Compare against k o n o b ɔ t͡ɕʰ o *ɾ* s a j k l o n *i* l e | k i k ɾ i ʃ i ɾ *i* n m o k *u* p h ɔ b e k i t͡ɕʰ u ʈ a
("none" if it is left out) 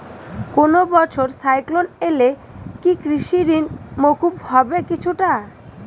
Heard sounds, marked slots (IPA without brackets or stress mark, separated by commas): ɾ, e, i, u